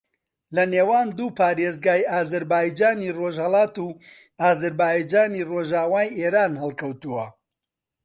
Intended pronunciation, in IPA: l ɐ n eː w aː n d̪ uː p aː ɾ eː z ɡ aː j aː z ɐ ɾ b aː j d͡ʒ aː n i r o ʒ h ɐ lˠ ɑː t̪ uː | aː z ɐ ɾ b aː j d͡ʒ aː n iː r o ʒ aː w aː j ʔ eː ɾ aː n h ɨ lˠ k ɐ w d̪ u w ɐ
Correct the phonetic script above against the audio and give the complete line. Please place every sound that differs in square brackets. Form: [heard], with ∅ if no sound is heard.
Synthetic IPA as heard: l ɐ n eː w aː n d̪ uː p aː ɾ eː z ɡ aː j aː z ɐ ɾ b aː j d͡ʒ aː n i r o ʒ h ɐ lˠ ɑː t̪ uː | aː z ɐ ɾ b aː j d͡ʒ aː n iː r o ʒ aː w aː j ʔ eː ɾ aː n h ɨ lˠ k ɐ w [t̪] u w ɐ